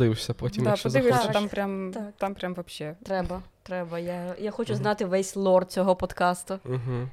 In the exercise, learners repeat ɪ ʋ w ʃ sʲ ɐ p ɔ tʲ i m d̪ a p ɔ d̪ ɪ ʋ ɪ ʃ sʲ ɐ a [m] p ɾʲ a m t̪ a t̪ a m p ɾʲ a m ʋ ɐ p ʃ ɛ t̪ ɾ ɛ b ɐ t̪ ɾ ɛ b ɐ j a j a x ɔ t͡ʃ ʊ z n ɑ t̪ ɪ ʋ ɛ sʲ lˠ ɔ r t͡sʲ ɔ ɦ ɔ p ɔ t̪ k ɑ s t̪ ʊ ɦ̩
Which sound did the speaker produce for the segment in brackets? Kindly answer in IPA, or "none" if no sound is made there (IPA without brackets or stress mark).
m